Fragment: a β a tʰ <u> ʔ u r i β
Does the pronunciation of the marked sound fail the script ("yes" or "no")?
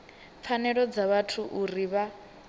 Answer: no